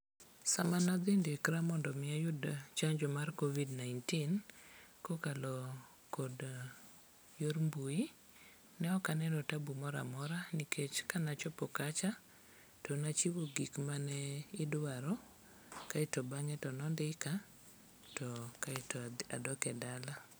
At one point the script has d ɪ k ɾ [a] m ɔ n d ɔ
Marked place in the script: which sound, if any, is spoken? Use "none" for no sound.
a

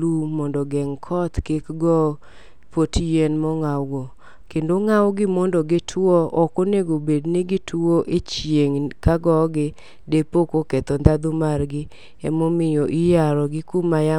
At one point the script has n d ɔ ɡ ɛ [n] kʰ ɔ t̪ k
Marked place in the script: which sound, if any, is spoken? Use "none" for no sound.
ŋ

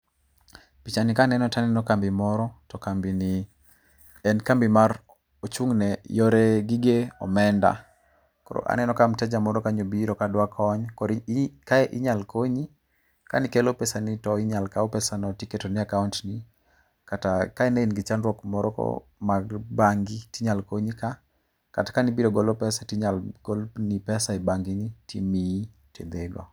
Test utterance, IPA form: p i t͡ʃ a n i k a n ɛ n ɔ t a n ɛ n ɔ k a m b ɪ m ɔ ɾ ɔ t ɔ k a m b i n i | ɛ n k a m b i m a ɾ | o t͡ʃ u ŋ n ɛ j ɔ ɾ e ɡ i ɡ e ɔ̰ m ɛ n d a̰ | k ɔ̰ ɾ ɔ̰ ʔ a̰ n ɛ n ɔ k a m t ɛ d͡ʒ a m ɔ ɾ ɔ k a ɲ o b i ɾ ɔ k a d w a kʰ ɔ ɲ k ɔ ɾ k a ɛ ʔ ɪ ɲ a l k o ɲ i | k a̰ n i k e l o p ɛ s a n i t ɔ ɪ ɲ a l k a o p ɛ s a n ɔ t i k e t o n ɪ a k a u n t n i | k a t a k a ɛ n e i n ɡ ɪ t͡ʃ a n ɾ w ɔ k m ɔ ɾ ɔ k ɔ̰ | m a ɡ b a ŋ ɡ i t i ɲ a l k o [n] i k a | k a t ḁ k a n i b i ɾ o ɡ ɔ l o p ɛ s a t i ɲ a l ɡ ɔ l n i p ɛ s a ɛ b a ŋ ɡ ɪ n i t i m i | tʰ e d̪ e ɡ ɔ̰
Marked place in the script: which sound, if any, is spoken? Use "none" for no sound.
ɲ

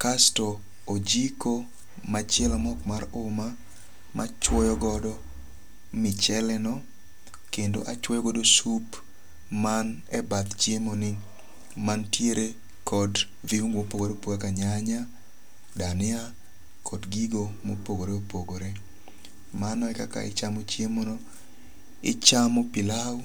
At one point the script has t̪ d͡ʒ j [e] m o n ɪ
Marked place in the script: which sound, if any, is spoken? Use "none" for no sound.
e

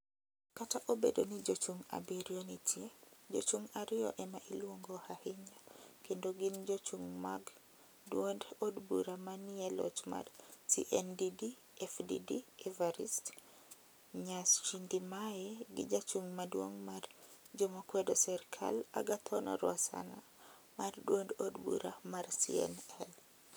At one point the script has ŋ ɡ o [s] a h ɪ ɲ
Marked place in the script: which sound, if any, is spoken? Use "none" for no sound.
h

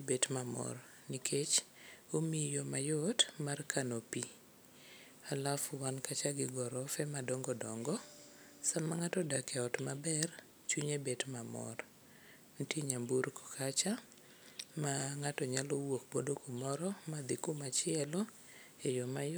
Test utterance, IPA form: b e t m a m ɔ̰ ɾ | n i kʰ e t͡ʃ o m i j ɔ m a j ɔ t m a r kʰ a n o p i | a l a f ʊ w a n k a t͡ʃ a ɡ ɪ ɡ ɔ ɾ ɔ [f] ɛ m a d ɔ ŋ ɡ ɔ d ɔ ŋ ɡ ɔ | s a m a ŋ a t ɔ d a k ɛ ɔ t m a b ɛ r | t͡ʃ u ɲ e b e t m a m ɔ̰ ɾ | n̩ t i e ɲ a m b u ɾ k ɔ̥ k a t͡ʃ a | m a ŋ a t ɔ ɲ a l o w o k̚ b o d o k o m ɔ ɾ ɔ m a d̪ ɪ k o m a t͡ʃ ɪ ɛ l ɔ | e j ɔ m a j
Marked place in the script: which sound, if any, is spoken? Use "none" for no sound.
f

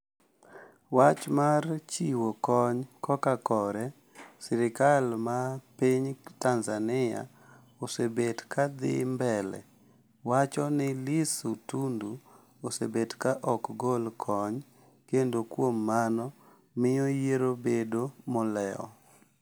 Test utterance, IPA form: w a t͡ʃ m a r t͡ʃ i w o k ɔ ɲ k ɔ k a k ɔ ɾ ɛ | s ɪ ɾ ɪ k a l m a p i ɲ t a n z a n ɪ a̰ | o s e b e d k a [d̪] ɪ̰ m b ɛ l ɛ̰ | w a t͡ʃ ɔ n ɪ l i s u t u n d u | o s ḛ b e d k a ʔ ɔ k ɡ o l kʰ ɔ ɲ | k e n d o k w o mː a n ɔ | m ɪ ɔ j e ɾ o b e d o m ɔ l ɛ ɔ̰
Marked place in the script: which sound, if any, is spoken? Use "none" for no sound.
d̪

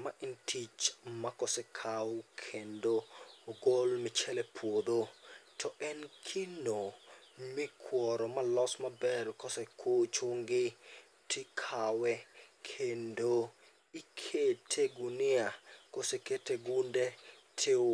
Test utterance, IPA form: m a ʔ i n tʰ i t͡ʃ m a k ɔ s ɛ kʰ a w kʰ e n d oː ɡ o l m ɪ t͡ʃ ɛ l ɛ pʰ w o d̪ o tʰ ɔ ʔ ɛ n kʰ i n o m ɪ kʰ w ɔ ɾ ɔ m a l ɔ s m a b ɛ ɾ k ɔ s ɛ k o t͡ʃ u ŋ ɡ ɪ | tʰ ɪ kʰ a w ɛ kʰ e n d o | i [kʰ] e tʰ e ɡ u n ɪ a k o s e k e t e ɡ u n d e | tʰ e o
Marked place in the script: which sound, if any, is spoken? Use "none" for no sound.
kʰ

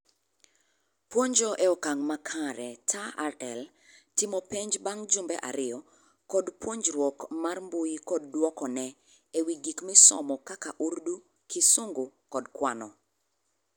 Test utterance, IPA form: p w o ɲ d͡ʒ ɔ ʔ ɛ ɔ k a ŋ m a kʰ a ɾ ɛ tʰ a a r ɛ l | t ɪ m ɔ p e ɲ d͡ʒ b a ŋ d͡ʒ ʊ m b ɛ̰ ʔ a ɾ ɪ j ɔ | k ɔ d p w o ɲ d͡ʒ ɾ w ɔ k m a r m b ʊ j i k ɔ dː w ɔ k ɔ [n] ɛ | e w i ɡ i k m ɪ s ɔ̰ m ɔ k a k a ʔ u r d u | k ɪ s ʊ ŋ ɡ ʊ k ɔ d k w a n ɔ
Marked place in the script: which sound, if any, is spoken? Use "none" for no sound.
n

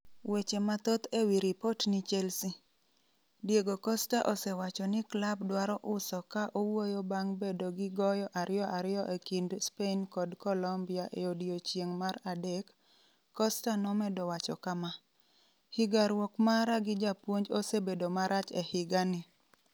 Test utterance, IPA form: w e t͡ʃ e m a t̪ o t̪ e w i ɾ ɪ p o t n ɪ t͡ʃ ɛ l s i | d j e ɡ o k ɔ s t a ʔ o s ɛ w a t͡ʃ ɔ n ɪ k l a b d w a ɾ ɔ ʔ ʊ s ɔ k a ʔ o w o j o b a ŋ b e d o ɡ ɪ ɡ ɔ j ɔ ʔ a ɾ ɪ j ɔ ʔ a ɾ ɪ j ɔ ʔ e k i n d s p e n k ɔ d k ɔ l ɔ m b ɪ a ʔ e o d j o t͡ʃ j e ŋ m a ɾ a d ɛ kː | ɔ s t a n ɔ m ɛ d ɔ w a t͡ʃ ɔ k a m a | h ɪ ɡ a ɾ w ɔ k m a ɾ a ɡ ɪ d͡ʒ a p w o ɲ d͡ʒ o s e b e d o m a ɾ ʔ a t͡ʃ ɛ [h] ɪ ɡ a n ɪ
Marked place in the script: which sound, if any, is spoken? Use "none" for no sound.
h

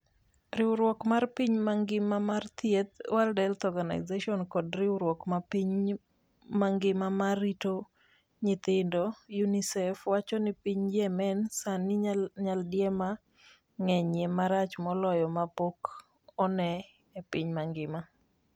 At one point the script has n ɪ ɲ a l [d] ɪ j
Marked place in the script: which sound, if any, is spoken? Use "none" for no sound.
d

